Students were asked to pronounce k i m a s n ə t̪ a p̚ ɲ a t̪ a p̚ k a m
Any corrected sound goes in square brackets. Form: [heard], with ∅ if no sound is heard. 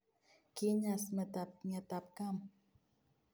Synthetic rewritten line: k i [ɲ] a s [m] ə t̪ a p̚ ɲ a t̪ a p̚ k a m